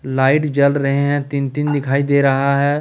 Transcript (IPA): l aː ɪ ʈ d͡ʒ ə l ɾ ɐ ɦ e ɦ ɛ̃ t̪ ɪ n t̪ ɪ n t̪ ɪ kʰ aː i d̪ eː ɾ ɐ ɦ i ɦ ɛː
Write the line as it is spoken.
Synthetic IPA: l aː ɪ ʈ d͡ʒ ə l ɾ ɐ ɦ e ɦ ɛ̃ t̪ ɪ n t̪ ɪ n d̪ ɪ kʰ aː i d̪ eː ɾ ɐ ɦ a ɦ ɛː

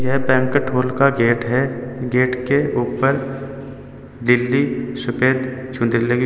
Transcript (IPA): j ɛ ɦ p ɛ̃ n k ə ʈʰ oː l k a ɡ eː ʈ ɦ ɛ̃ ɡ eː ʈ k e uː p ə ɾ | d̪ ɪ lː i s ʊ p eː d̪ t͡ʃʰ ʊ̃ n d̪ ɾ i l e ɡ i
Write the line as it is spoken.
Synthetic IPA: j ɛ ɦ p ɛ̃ ŋ k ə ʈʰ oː l k a ɡ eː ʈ ɦ ɛ ɡ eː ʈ k e uː p ə ɾ | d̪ ɪ lː i s ʊ p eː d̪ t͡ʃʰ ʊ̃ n d̪ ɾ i l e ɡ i

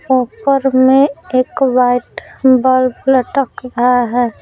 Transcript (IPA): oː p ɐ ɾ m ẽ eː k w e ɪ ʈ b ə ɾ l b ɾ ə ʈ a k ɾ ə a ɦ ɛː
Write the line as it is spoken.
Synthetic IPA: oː p ə ɾ m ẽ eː k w a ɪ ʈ b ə l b l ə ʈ ə k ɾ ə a ɦ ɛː

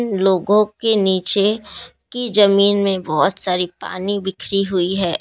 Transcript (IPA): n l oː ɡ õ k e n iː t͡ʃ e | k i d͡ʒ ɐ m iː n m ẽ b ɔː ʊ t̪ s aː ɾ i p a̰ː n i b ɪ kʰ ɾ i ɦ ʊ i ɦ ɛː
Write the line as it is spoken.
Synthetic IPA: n l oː ɡ õ k e n iː t͡ʃ e | k i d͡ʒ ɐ m iː n m ẽ b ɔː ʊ t̪ s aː ɾ i p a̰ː n i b ɪ kʰ ɾ i ɦ ʊ i ɦ ɛː

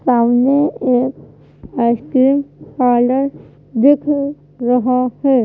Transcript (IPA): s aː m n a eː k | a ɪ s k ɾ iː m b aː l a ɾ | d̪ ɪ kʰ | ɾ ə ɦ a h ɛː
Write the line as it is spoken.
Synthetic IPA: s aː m n e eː k | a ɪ s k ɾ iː m p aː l ə ɾ | d̪ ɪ kʰ | ɾ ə ɦ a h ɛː

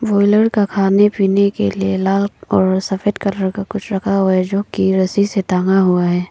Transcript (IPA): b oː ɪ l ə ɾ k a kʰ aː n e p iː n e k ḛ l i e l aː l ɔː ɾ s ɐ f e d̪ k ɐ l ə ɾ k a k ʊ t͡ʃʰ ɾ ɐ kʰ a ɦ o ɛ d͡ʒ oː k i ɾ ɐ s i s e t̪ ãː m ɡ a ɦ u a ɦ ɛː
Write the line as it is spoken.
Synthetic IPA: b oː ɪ l ə ɾ k a kʰ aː n e p iː n e k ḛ l i e l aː l ɔː ɾ s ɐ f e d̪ k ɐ l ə ɾ k a k ʊ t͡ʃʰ ɾ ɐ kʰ a ɦ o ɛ d͡ʒ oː k i ɾ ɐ s i s e t̪ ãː ŋ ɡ a ɦ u a ɦ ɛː

